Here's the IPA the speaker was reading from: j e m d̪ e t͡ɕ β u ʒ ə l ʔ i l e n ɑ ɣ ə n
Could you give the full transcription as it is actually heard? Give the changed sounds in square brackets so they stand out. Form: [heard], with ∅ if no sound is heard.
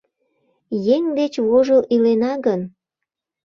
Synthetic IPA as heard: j e [ŋ] d̪ e t͡ɕ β [o] ʒ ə l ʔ i l e n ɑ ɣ ə n

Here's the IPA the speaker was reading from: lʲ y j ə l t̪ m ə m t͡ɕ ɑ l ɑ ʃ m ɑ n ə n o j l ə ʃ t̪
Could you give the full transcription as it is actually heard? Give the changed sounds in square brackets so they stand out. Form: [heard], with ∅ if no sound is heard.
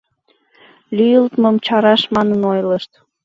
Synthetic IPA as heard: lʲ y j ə l t̪ m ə m t͡ɕ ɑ [ɾ] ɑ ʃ m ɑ n ə n o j l ə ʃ t̪

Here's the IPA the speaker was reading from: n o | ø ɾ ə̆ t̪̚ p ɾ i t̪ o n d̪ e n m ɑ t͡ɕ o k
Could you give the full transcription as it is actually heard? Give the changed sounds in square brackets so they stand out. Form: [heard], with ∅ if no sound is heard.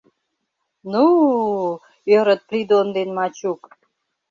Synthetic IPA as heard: n [u] | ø ɾ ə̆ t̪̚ p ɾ i [d̪] o n d̪ e n m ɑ t͡ɕ [u] k

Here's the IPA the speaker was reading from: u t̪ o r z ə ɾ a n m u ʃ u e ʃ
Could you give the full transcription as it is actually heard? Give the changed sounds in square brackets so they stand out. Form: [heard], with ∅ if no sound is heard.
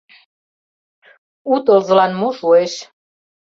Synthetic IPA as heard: u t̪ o [l] z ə [l] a n m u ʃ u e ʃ

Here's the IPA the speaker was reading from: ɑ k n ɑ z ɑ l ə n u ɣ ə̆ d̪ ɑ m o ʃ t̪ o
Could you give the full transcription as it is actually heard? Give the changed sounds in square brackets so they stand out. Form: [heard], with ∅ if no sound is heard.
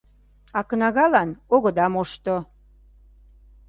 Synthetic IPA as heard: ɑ k n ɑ [ɣ] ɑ l [ɑ] n [o] ɣ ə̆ d̪ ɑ m o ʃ t̪ o

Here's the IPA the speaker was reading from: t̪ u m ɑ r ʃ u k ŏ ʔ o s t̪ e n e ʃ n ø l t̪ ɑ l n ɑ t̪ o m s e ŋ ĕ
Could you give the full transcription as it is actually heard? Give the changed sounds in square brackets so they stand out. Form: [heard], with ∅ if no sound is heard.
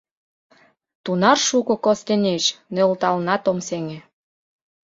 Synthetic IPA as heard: t̪ u [n] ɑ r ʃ u k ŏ [k] o s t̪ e n e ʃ n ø l t̪ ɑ l n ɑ t̪ o m s e ŋ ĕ

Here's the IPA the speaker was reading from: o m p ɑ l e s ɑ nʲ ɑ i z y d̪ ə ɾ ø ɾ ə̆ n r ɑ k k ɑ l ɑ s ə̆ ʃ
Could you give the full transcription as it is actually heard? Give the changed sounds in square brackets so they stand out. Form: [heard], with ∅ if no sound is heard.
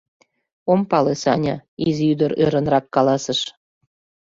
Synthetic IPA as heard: o m p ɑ l e s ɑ nʲ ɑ i z y d̪ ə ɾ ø ɾ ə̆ n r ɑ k k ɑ l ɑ s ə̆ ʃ

